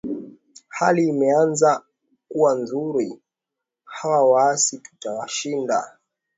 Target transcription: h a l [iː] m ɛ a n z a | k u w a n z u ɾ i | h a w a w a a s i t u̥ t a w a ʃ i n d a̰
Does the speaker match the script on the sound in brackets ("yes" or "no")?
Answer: yes